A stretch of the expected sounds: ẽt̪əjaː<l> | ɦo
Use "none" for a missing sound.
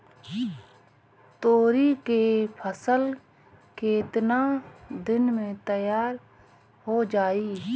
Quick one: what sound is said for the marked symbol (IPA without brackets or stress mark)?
ɾ